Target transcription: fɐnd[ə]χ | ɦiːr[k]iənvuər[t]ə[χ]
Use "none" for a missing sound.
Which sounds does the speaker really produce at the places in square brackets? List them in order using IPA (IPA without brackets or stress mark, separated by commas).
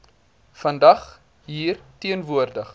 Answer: ɐ, t, d, χ